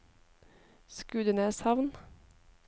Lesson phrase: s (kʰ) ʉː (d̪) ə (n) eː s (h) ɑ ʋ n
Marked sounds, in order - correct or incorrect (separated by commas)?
incorrect, correct, correct, correct